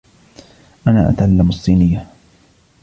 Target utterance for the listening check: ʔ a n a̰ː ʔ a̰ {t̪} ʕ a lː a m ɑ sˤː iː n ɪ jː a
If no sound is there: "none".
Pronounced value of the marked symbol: t̪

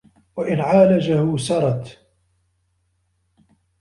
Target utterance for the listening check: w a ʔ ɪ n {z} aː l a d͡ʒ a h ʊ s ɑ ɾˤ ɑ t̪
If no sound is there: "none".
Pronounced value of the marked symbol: ʕ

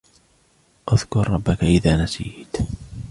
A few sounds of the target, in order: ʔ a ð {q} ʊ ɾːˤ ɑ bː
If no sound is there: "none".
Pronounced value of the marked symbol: k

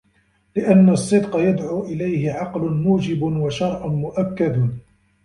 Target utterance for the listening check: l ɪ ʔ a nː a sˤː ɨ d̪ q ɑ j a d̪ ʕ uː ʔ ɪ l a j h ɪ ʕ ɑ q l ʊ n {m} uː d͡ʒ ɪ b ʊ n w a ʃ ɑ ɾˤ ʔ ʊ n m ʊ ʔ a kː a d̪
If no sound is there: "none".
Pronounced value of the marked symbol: m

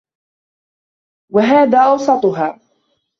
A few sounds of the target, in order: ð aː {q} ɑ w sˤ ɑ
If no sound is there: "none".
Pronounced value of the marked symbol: ʔ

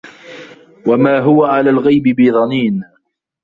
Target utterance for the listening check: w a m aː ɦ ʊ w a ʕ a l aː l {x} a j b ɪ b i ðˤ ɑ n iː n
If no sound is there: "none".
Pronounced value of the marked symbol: ɣ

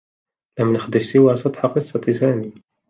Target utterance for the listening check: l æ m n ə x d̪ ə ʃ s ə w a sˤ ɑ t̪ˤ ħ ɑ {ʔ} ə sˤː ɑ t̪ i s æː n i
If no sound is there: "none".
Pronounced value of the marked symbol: q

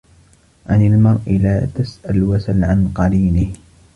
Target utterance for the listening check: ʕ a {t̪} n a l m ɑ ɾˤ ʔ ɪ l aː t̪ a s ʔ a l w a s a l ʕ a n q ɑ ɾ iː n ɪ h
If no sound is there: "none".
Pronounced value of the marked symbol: none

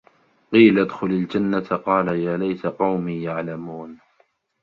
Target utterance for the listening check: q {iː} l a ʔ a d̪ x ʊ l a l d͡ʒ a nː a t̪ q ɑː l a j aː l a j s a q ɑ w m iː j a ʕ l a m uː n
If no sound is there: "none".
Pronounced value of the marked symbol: iː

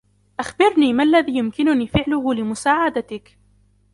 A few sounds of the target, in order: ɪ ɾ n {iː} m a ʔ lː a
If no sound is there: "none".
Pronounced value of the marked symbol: iː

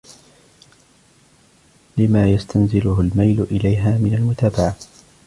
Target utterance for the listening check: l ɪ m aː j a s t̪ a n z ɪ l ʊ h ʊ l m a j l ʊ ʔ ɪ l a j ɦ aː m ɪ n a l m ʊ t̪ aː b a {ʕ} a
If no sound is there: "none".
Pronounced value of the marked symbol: ʕ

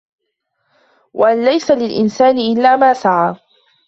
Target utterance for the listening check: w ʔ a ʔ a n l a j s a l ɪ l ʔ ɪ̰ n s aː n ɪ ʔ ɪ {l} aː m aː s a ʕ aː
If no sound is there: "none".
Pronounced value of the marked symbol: lː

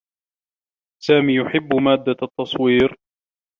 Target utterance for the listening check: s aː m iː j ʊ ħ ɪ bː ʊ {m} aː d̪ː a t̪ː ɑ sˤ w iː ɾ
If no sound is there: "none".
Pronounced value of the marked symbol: m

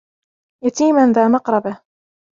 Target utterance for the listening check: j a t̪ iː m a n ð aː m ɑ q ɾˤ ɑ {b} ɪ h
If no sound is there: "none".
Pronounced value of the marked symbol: b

